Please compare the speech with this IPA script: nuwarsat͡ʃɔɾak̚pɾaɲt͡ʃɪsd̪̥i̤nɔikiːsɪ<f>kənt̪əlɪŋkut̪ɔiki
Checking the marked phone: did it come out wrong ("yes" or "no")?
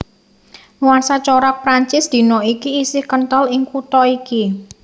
yes